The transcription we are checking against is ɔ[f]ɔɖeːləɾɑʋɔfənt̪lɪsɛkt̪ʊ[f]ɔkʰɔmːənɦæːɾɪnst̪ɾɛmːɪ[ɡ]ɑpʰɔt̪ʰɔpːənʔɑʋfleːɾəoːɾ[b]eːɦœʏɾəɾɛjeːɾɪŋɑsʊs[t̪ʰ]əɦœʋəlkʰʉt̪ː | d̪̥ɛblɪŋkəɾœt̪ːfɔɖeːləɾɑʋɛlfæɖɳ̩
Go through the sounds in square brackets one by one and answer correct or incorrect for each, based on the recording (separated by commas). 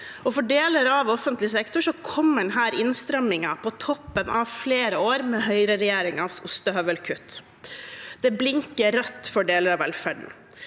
correct, incorrect, incorrect, incorrect, incorrect